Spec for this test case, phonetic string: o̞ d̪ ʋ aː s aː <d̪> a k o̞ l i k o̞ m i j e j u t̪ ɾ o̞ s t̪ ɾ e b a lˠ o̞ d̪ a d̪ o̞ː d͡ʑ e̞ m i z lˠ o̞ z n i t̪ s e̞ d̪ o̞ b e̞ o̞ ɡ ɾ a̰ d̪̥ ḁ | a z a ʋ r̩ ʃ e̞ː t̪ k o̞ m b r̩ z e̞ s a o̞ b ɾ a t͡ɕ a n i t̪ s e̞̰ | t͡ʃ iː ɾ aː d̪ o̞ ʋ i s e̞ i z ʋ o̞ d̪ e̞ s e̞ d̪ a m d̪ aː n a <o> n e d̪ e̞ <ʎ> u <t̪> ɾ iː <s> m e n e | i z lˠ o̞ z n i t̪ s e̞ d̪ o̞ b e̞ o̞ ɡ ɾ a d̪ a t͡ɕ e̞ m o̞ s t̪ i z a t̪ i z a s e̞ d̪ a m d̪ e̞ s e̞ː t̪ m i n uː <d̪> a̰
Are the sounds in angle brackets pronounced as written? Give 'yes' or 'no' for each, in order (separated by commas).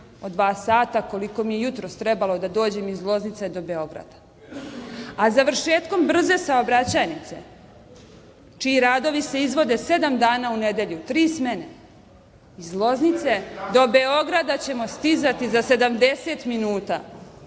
no, no, yes, yes, yes, no